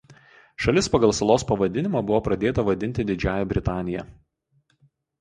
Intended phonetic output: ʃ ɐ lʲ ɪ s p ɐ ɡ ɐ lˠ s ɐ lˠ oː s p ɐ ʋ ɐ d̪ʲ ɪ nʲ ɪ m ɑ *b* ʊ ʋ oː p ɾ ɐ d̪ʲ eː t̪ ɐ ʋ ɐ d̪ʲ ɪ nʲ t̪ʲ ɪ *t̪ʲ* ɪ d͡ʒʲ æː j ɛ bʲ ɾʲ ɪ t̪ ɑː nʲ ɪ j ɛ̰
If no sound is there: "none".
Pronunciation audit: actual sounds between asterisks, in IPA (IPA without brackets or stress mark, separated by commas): b, d̪ʲ